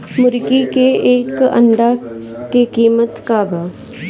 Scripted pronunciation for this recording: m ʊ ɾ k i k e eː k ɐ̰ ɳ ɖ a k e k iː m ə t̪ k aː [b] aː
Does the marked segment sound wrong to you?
no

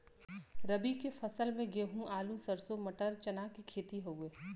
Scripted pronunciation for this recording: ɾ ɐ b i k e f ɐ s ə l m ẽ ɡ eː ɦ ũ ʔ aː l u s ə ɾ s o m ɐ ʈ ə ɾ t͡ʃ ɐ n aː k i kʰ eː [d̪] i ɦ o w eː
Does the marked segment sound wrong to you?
yes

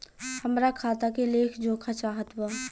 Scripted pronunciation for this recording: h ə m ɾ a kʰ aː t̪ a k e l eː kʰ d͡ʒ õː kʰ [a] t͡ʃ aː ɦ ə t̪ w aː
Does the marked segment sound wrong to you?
no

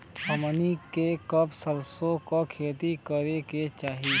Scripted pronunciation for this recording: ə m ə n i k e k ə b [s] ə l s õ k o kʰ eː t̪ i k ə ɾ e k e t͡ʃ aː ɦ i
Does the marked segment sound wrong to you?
no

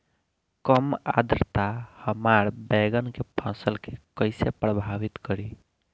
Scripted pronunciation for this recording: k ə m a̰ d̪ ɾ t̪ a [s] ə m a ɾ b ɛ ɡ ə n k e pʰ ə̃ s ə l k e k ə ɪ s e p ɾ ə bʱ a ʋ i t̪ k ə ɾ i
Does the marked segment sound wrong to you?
yes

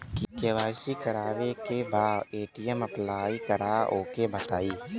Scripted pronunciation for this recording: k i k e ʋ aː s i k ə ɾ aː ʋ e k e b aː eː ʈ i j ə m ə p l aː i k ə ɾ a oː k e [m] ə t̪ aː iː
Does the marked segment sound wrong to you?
yes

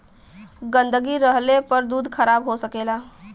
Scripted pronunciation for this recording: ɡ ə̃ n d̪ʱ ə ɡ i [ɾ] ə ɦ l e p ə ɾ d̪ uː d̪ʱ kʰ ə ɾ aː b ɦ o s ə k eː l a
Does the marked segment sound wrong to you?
no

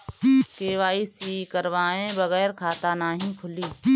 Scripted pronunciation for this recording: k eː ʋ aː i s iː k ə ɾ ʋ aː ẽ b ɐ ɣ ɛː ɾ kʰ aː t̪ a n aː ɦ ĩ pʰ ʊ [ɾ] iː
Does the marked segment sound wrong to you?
yes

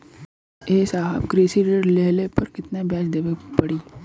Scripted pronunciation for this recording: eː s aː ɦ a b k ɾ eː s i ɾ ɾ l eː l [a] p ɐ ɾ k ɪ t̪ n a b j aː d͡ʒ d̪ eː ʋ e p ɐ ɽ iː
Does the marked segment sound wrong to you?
yes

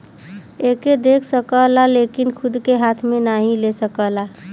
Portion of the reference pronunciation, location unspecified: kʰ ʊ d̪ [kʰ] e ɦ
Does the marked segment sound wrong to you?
yes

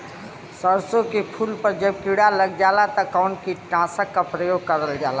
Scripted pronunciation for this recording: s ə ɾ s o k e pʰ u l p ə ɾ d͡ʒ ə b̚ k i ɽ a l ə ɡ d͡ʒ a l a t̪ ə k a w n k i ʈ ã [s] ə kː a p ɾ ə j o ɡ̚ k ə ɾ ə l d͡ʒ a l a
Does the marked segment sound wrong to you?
no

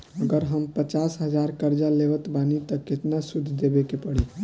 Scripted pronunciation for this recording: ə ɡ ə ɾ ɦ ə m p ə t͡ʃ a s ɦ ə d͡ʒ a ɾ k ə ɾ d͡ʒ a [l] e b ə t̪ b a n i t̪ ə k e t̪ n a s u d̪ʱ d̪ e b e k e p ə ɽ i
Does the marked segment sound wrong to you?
no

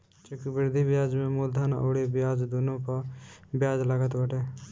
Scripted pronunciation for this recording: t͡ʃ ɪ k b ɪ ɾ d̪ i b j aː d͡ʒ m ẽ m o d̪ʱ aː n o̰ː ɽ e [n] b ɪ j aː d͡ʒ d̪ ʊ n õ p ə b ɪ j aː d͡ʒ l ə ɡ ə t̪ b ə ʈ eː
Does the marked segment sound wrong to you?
yes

